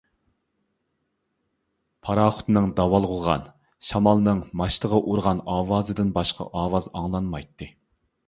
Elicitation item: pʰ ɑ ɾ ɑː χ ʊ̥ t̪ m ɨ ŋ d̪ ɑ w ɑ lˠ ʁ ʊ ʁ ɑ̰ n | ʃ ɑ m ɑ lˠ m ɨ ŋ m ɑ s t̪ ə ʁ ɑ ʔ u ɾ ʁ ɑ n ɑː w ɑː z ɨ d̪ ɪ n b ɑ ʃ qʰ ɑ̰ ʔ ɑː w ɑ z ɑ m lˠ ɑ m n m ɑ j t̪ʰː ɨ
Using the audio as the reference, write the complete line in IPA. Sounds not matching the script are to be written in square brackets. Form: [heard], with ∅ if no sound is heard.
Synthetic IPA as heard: pʰ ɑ ɾ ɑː χ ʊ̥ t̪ [n] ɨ ŋ d̪ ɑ w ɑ lˠ ʁ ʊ ʁ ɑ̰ n | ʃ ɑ m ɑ lˠ [n] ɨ ŋ m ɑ [ʃ] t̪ ə ʁ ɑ ʔ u ɾ ʁ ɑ n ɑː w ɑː z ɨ d̪ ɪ n b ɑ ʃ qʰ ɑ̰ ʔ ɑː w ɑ z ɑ [ŋ] lˠ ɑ [∅] n m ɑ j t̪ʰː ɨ